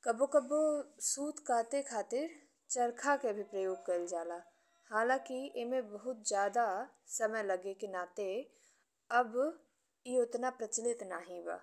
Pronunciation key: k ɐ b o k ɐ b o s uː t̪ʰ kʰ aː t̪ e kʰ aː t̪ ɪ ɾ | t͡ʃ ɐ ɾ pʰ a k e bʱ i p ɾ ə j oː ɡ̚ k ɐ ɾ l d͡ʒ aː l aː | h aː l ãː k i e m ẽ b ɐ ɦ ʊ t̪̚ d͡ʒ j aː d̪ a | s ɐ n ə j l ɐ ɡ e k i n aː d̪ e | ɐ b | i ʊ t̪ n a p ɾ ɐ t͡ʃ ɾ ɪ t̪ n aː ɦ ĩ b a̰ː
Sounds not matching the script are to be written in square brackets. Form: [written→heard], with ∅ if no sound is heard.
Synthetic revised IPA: k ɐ b o k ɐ b o s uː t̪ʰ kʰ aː t̪ e kʰ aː t̪ ɪ ɾ | t͡ʃ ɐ ɾ [pʰ→kʰ] a k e bʱ i p ɾ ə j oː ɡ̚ k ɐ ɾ l d͡ʒ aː l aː | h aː l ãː k i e m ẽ b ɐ ɦ ʊ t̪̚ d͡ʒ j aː d̪ a | s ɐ [n→m] ə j l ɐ ɡ e k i n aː [d̪→t̪] e | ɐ b | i ʊ t̪ n a p ɾ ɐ t͡ʃ [ɾ→l] ɪ t̪ n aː ɦ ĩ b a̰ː